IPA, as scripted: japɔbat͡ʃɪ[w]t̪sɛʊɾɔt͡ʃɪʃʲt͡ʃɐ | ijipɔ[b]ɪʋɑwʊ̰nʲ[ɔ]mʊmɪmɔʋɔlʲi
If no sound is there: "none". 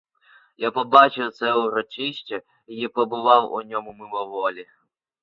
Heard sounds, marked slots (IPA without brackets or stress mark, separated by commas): w, b, ɔ